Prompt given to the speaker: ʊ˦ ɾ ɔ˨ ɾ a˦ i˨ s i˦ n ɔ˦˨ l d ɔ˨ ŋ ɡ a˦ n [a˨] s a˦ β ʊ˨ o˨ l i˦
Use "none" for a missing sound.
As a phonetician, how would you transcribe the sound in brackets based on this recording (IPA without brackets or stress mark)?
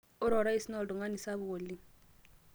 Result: i˨